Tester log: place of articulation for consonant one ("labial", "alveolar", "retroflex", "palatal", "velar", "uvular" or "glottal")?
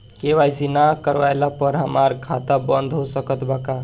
velar